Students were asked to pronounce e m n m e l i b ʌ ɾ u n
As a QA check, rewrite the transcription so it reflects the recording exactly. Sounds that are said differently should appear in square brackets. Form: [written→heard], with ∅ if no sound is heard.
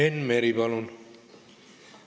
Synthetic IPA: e [m→∅] n m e [l→ɾ] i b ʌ [ɾ→l] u n